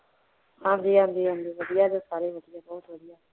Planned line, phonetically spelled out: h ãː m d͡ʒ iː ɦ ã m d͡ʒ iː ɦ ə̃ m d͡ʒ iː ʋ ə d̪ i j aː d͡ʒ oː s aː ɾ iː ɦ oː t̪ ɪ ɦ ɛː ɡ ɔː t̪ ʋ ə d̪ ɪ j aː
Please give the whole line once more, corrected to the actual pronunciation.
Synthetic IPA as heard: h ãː m d͡ʒ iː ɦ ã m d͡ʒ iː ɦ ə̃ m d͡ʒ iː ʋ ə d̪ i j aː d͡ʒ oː s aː ɾ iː ɦ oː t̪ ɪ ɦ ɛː b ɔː t̪ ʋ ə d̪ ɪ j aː